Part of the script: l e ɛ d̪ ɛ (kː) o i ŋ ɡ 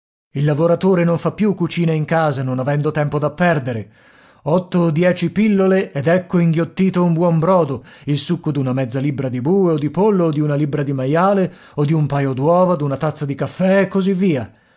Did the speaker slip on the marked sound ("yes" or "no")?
no